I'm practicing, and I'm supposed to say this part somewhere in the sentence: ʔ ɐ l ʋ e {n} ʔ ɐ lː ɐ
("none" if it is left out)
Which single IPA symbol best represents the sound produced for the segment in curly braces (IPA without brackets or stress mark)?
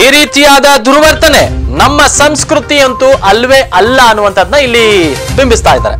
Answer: none